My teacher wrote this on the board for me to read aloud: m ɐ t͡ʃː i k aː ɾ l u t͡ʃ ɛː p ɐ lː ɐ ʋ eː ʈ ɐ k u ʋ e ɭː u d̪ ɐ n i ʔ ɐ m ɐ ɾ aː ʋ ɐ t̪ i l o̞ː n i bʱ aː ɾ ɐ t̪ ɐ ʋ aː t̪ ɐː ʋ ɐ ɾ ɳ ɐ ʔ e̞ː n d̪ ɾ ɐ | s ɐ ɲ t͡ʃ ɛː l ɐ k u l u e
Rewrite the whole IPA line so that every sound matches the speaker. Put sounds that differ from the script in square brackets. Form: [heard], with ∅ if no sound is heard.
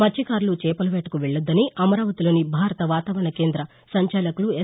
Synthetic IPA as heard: m ɐ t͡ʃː i k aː ɾ l u t͡ʃ ɛː p ɐ [l] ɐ ʋ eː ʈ ɐ k u ʋ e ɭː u [d̪ː] ɐ n i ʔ ɐ m ɐ ɾ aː ʋ ɐ t̪ i l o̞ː n i bʱ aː ɾ ɐ t̪ ɐ ʋ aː t̪ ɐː ʋ ɐ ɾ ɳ ɐ [k] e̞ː n d̪ ɾ ɐ | s ɐ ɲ t͡ʃ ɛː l ɐ k u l u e